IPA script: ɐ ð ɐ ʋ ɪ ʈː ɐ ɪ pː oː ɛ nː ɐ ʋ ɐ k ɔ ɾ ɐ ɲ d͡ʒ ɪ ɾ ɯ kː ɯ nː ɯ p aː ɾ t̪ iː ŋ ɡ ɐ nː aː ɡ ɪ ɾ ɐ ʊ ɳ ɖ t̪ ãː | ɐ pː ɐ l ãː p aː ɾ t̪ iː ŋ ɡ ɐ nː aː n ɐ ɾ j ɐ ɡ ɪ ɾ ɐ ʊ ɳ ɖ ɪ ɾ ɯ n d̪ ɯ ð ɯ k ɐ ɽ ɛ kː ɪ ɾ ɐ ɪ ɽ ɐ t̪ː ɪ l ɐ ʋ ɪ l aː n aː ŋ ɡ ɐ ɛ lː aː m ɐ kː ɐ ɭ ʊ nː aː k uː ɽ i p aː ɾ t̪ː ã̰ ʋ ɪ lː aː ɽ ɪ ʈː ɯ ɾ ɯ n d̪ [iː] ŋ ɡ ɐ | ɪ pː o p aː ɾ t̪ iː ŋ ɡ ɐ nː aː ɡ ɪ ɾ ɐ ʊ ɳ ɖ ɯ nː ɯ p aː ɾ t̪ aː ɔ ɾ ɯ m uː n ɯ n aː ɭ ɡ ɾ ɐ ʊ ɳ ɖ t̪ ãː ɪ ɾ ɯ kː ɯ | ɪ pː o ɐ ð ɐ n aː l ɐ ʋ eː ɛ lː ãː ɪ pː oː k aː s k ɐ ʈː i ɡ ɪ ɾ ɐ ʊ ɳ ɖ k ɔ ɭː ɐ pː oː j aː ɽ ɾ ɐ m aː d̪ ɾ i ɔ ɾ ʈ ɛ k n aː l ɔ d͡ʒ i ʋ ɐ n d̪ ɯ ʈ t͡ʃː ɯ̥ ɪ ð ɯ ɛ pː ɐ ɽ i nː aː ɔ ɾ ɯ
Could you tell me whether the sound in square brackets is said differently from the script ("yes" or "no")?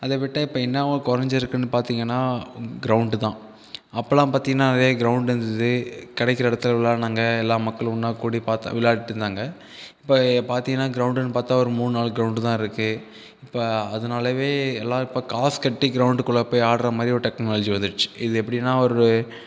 yes